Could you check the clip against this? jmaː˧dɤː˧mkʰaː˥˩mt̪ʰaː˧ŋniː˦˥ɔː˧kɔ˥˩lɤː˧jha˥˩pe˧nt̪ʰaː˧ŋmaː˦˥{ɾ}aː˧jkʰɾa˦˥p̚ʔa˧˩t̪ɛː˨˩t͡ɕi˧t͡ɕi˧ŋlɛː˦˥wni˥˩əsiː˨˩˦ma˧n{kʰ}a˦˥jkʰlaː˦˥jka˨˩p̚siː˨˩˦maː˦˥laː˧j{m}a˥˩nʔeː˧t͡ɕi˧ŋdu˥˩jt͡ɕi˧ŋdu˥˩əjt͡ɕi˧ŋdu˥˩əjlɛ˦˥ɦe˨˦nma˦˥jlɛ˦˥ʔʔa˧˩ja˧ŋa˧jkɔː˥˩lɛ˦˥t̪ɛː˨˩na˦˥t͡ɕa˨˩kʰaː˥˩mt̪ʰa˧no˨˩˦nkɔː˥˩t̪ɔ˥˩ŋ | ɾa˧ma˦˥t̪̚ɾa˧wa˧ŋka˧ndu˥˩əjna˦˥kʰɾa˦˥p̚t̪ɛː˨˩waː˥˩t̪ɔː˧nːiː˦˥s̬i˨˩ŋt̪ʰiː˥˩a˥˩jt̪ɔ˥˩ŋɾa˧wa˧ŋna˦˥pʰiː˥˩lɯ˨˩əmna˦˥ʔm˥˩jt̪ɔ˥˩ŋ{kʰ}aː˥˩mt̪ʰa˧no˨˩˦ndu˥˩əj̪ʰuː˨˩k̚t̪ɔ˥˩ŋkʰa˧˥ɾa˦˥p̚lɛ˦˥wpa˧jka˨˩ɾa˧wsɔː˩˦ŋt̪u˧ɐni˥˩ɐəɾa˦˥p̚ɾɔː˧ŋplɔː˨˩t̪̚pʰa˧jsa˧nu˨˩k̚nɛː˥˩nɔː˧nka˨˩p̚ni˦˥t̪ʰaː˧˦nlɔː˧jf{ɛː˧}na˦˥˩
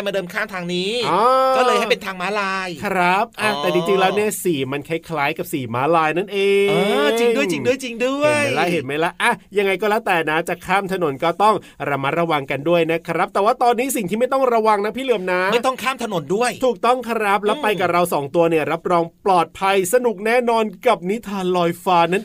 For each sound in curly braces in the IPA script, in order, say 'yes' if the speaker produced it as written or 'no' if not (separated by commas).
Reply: no, yes, no, yes, no